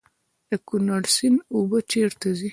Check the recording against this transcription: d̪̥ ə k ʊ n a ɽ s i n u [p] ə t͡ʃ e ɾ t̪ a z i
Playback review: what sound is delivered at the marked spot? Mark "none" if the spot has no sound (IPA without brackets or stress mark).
b